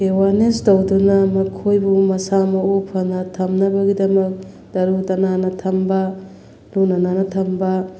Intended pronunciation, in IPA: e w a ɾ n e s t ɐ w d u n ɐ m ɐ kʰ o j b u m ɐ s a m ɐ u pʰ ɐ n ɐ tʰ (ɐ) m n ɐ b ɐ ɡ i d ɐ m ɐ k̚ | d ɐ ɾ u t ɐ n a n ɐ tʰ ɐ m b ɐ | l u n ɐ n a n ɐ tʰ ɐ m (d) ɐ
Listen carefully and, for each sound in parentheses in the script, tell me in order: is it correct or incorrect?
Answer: correct, incorrect

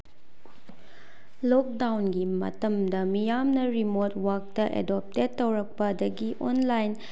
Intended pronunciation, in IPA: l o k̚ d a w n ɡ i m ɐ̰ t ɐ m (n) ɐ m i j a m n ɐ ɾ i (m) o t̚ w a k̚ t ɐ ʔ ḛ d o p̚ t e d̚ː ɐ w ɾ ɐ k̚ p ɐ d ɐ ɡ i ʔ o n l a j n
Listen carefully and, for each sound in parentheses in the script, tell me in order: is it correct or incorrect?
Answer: incorrect, correct

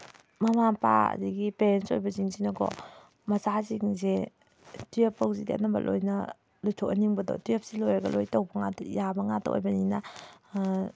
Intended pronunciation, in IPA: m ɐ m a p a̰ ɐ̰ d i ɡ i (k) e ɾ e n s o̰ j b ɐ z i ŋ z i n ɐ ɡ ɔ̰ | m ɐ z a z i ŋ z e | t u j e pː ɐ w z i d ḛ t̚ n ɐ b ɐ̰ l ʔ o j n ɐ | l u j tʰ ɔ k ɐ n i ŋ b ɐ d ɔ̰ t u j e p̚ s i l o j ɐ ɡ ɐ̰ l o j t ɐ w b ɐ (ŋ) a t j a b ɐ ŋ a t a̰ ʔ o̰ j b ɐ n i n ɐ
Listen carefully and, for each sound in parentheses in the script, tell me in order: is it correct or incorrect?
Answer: incorrect, correct

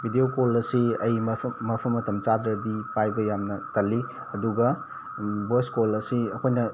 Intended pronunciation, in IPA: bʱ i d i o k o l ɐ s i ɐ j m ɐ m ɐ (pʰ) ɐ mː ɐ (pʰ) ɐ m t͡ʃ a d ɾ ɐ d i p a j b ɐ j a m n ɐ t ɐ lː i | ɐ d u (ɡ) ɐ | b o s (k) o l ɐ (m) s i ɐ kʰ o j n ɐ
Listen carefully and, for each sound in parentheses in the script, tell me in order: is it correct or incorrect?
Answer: correct, incorrect, correct, correct, incorrect

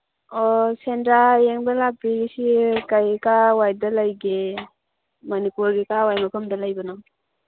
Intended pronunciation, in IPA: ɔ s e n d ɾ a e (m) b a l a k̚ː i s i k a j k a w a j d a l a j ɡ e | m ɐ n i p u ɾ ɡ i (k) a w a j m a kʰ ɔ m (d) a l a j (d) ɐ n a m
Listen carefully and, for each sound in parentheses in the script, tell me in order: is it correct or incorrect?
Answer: incorrect, correct, correct, incorrect

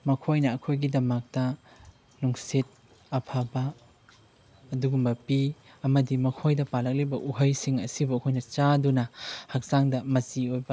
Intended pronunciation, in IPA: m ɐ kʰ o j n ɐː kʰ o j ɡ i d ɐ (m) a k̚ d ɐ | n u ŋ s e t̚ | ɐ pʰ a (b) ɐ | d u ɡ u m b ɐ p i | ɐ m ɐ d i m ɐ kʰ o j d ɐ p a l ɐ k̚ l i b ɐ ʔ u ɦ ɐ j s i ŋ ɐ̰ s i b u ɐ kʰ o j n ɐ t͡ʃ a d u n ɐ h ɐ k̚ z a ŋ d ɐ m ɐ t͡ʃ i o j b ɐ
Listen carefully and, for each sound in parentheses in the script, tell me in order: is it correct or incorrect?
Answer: correct, correct

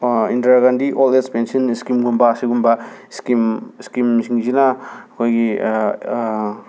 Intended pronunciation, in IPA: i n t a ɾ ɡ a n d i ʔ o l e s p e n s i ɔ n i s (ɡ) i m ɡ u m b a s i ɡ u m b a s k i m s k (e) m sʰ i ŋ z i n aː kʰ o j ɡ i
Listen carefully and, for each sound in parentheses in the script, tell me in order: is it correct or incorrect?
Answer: incorrect, incorrect

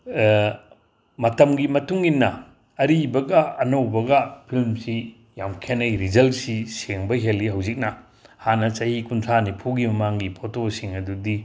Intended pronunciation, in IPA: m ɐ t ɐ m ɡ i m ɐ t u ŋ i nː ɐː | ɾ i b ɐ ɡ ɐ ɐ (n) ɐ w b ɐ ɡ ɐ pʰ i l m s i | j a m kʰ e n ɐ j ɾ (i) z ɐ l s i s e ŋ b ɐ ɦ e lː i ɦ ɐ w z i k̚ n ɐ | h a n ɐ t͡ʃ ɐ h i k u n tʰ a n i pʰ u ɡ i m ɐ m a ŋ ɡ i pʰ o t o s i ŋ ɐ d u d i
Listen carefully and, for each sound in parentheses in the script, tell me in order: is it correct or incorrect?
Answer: correct, correct

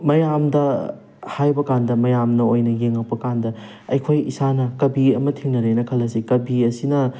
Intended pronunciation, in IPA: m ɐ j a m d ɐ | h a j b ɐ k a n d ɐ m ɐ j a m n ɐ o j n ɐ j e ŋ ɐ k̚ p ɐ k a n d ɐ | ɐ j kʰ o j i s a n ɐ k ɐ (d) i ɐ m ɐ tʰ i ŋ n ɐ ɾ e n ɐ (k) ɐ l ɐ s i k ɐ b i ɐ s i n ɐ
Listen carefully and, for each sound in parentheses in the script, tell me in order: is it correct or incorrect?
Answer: incorrect, incorrect

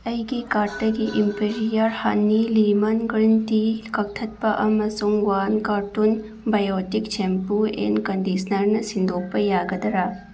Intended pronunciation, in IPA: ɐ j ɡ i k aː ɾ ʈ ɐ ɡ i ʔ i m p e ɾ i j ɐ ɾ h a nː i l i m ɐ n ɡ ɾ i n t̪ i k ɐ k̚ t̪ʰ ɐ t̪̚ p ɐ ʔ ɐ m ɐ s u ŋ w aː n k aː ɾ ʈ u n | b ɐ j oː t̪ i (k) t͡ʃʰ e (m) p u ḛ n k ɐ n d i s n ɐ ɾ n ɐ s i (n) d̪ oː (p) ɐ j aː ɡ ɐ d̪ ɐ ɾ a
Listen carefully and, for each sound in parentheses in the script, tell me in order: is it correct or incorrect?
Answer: correct, correct, correct, correct

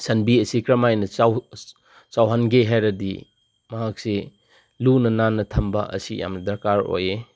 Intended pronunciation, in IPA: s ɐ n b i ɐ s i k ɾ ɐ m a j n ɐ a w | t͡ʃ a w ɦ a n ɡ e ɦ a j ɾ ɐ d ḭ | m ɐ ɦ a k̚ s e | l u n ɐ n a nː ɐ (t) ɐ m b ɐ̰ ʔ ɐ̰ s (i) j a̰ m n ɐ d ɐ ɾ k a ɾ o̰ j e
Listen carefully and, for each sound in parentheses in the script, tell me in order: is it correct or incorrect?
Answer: incorrect, correct

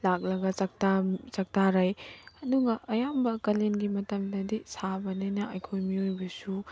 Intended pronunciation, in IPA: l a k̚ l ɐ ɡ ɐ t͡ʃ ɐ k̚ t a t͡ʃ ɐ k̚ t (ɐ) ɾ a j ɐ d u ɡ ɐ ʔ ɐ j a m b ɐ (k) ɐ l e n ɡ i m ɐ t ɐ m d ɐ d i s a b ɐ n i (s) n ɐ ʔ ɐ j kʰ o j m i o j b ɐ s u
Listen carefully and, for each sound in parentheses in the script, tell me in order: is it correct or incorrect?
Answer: incorrect, correct, incorrect

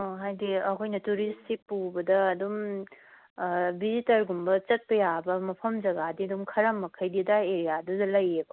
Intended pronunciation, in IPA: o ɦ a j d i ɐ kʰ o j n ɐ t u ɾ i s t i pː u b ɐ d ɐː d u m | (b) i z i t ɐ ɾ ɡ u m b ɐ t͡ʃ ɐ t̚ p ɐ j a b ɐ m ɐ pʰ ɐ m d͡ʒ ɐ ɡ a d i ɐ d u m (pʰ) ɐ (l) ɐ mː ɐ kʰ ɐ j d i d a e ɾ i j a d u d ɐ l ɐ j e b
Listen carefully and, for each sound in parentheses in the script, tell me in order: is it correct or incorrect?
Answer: correct, incorrect, incorrect

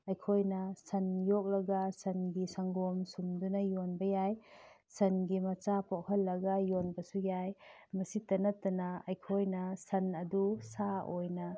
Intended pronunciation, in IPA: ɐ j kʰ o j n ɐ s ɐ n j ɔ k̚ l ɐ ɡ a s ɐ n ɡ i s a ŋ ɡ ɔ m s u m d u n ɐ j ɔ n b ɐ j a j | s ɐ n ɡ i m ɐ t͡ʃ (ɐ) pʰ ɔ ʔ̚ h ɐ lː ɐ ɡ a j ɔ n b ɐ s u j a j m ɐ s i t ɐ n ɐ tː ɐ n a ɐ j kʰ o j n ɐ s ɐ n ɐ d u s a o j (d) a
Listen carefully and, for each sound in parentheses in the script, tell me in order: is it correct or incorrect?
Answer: incorrect, incorrect

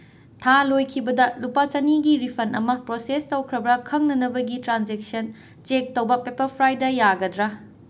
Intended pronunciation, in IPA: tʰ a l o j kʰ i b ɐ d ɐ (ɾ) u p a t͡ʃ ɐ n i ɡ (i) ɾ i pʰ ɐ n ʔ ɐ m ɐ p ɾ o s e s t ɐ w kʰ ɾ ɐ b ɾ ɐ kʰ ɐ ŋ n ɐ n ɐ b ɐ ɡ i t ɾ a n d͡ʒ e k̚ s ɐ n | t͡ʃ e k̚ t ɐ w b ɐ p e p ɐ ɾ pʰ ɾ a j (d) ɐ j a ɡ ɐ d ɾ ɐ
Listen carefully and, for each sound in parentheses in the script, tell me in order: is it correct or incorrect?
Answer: incorrect, correct, correct

